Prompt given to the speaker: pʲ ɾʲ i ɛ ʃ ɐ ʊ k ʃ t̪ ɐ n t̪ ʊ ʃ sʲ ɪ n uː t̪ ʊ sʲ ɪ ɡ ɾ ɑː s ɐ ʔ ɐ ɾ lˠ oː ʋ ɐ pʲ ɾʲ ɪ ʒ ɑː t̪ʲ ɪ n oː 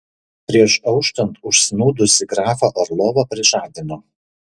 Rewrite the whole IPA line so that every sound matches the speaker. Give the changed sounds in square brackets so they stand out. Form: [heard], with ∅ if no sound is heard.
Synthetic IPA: pʲ ɾʲ i ɛ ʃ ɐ ʊ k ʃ t̪ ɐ n t̪ ʊ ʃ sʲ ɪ n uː [d̪] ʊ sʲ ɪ ɡ ɾ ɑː [f] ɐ ʔ ɐ ɾ lˠ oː ʋ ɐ pʲ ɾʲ ɪ ʒ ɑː [d̪ʲ] ɪ n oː